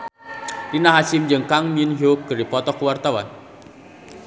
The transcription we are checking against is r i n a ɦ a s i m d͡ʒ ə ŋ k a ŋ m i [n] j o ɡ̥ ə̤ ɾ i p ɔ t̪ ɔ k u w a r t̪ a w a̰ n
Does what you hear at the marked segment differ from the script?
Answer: no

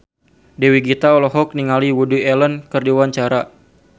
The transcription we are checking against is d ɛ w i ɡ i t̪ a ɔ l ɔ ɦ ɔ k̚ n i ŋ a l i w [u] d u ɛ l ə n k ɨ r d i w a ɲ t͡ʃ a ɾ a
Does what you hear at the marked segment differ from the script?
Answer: no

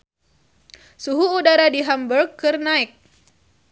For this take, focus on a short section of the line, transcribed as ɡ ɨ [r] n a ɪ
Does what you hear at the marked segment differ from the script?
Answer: no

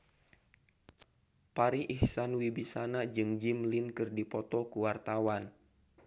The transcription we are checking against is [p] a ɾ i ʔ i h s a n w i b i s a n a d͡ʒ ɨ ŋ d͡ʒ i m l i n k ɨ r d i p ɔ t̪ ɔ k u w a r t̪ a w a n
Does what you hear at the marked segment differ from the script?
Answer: no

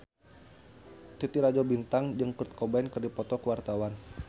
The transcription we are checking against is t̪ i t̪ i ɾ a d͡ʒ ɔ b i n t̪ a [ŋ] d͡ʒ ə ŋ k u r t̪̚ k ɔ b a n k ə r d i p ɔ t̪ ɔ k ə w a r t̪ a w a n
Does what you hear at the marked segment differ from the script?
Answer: no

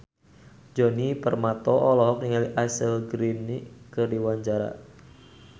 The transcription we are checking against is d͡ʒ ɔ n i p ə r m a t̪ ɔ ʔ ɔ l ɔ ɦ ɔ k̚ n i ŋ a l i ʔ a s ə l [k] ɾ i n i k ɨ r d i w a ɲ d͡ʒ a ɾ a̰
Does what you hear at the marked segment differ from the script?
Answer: yes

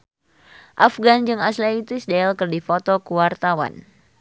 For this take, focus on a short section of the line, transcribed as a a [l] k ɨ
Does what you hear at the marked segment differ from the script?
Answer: no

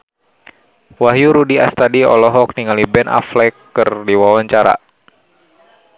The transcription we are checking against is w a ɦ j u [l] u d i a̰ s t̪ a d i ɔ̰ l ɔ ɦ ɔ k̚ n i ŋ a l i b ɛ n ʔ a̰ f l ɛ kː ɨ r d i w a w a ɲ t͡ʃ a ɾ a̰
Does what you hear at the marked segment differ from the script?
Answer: yes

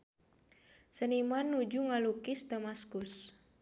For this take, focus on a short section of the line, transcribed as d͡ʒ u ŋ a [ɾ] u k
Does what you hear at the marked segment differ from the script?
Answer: yes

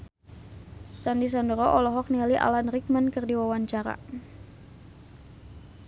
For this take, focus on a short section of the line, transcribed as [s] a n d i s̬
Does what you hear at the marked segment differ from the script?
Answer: no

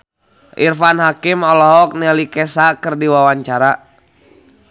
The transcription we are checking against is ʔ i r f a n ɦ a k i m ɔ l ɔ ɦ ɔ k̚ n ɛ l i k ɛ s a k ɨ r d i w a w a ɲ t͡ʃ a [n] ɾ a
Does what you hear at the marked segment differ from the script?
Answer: yes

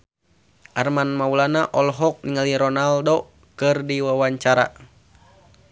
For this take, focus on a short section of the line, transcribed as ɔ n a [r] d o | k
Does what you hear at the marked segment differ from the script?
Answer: yes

